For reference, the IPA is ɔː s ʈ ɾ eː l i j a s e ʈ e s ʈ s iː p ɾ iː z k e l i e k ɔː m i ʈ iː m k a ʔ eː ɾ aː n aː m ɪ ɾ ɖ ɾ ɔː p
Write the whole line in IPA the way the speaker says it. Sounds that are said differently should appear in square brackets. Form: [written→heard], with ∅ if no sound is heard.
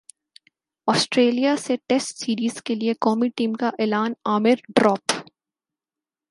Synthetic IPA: ɔː s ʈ ɾ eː l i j a s e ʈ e s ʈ s iː [p→∅] ɾ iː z k e l i e k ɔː m i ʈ iː m k a ʔ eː [ɾ→l] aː n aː m ɪ ɾ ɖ ɾ ɔː p